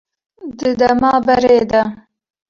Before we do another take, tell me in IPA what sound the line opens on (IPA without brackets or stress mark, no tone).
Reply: d̪